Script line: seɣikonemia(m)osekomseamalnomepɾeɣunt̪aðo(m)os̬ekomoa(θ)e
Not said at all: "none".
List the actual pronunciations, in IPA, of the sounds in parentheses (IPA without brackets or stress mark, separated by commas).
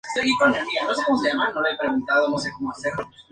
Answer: n, n, s